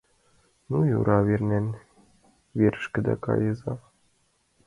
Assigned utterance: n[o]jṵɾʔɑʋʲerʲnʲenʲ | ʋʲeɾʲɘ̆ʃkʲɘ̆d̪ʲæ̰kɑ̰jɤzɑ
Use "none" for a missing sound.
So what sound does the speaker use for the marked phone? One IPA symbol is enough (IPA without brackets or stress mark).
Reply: u